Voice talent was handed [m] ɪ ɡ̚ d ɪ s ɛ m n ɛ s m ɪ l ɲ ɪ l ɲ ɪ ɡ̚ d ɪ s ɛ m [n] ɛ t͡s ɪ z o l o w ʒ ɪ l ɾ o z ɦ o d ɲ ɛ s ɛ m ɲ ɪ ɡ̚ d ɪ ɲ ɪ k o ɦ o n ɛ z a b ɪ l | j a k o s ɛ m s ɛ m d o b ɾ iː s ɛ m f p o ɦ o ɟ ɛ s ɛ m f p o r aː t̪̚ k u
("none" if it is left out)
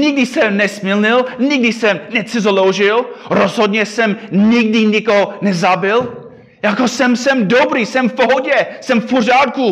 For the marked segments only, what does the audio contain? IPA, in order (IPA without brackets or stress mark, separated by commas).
ɲ, n